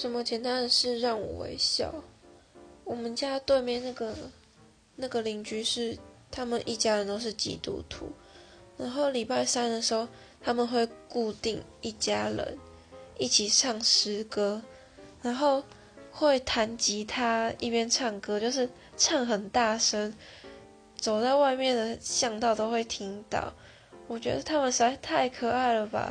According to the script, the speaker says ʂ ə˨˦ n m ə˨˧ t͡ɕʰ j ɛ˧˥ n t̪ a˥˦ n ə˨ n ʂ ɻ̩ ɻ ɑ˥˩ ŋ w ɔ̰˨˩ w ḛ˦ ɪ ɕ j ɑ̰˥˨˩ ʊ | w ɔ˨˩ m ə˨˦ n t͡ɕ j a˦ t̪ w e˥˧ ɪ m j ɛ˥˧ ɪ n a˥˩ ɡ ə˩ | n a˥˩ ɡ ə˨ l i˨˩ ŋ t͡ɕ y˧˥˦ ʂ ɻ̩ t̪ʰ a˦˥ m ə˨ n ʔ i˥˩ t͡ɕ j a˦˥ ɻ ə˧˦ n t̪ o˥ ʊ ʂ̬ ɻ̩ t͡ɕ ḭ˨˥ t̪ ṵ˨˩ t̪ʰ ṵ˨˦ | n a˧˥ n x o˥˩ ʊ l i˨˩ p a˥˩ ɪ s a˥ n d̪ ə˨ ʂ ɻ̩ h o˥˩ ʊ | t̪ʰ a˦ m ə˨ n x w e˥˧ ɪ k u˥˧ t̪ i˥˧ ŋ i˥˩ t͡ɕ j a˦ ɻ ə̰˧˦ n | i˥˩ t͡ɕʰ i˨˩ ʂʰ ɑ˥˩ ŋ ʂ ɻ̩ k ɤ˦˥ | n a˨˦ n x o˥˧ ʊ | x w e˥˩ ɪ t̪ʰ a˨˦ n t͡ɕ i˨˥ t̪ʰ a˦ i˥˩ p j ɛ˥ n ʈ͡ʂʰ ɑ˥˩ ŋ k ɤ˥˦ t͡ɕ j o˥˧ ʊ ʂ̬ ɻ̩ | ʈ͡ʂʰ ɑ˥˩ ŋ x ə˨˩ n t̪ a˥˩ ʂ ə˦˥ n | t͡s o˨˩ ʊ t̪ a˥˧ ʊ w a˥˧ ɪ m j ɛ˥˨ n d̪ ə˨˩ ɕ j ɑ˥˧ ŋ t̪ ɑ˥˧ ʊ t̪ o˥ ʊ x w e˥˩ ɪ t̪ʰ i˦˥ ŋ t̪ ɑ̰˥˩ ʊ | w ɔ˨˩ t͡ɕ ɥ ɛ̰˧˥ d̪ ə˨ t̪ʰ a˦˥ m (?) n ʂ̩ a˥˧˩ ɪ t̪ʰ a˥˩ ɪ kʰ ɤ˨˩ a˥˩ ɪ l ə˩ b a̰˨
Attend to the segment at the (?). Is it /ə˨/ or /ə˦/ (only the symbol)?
ə˨